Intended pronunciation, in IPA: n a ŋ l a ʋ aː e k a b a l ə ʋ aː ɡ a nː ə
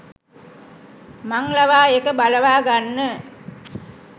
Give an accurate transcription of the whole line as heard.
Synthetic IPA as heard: m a ŋ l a ʋ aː e k ə b a l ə ʋ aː ɡ a nː ə